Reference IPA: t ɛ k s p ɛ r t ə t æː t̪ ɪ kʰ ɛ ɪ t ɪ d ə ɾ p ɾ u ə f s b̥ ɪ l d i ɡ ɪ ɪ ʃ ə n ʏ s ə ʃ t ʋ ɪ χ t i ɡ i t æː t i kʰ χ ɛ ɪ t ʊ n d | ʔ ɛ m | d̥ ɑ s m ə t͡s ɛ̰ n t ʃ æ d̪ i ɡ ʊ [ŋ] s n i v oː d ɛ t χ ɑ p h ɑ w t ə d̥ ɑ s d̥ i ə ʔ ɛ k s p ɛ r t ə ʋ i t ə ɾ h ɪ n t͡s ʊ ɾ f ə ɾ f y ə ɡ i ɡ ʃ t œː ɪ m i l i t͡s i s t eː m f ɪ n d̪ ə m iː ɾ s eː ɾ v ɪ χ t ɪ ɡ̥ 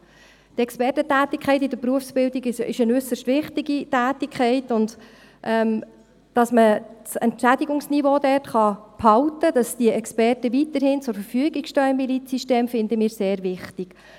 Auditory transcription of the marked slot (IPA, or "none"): ŋ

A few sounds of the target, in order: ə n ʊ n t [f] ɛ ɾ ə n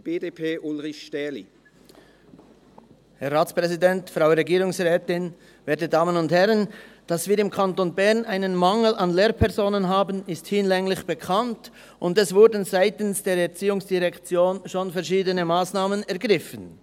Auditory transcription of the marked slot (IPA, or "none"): h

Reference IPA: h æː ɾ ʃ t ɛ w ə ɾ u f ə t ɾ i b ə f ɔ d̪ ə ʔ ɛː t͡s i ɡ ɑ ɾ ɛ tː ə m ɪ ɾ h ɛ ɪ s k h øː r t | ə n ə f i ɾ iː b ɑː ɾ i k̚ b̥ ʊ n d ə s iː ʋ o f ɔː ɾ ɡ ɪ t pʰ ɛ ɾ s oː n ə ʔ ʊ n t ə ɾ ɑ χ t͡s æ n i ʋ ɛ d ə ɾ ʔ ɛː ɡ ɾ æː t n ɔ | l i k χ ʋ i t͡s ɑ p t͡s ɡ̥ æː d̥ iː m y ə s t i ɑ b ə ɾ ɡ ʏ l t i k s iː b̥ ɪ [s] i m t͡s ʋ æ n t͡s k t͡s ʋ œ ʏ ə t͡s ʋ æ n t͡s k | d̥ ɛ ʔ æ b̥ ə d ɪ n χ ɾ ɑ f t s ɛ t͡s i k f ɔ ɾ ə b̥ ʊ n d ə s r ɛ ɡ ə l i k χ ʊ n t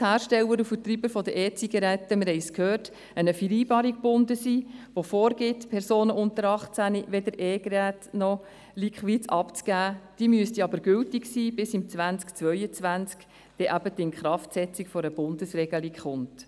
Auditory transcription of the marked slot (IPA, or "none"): s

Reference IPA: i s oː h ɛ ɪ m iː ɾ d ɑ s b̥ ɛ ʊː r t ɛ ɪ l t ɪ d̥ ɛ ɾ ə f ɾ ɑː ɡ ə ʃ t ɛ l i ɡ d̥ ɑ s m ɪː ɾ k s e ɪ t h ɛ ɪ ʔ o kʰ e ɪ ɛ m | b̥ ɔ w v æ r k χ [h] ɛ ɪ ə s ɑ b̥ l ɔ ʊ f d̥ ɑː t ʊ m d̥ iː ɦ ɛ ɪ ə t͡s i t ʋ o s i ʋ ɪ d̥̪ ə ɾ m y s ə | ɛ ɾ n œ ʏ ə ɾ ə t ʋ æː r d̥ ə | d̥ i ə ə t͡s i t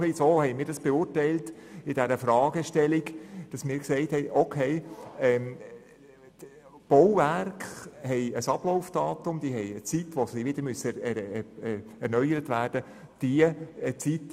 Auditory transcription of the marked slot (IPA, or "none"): h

